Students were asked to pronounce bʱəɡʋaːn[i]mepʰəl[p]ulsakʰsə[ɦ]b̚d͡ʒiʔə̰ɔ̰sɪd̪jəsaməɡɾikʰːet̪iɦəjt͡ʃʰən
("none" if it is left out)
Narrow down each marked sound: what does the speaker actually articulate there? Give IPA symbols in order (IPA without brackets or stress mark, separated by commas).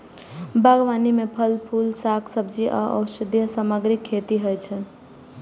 i, pʰ, none